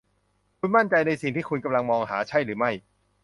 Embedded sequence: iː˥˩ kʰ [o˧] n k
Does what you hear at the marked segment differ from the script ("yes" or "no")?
yes